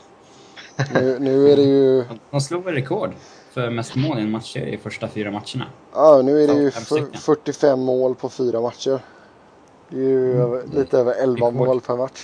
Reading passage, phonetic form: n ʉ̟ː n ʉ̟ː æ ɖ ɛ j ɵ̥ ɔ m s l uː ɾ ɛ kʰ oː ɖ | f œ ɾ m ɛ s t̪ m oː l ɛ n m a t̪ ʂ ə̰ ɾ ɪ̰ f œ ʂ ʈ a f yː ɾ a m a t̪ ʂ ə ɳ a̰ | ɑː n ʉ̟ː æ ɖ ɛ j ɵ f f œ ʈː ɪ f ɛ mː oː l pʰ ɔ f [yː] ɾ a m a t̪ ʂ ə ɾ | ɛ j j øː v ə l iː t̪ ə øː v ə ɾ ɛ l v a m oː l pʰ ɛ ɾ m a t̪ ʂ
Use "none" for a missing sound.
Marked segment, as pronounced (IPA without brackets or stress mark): yː